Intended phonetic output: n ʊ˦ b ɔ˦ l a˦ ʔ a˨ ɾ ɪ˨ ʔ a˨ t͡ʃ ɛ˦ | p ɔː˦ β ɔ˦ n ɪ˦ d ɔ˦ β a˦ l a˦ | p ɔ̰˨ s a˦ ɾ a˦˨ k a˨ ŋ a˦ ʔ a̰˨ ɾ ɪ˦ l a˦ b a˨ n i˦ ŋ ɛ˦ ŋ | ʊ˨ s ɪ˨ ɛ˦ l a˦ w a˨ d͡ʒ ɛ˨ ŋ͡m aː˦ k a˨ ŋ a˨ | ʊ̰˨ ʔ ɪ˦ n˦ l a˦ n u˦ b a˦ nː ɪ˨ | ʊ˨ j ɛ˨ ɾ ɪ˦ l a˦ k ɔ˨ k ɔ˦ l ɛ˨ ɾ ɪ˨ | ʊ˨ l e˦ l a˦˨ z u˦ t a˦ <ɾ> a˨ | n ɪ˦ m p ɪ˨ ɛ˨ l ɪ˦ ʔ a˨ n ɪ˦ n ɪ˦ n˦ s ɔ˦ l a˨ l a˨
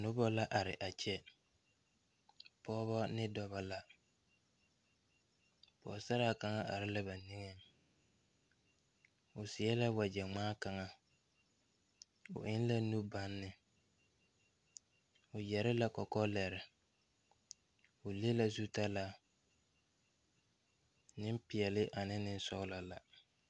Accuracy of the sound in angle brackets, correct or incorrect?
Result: incorrect